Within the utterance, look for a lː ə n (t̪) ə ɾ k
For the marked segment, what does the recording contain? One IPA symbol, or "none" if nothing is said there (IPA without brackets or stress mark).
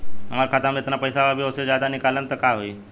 t̪